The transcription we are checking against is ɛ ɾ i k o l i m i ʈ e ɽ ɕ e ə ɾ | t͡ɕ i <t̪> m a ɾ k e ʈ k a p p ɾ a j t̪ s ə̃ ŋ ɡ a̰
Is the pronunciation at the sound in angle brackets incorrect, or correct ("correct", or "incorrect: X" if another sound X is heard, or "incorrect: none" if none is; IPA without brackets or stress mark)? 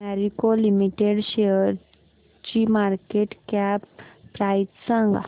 incorrect: none